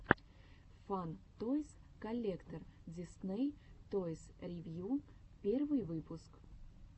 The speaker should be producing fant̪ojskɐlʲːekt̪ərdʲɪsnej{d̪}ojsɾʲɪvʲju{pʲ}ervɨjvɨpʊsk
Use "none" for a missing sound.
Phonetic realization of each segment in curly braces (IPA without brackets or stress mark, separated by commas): t̪, pʲ